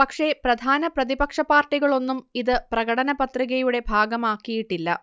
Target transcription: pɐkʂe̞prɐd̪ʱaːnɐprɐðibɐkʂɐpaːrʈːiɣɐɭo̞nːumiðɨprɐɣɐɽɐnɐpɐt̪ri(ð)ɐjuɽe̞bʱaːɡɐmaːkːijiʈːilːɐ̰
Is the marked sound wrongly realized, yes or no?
yes